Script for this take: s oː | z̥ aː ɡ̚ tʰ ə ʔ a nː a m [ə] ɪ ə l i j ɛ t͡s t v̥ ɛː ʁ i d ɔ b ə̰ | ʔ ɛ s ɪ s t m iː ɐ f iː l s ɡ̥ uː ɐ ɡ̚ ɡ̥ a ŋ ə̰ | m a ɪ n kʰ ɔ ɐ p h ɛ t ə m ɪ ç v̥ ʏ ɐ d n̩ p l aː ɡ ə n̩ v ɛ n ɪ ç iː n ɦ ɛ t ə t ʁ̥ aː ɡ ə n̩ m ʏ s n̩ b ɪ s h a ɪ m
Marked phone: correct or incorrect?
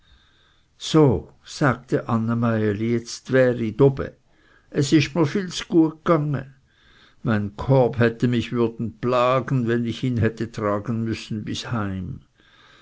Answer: incorrect